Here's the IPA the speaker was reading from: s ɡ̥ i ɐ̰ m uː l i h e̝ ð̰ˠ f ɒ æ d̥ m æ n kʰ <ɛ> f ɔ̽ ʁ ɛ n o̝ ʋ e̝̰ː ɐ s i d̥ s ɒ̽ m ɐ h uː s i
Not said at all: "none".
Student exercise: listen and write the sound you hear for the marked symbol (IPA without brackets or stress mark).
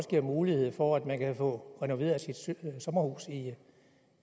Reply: æ